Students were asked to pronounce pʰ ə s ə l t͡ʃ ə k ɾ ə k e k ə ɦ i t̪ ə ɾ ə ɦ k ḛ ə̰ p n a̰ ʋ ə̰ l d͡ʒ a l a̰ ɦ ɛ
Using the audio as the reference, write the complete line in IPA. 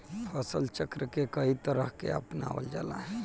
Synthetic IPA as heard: pʰ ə s ə l t͡ʃ ə k ɾ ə k e k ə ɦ i t̪ ə ɾ ə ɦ k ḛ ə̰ p n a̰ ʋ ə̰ l d͡ʒ a l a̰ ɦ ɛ